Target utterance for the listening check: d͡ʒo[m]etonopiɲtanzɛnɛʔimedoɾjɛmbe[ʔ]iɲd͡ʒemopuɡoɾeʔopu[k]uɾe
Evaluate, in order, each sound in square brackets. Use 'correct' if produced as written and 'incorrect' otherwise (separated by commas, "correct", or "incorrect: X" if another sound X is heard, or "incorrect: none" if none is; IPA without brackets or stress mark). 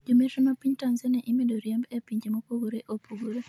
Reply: correct, incorrect: p, incorrect: ɡ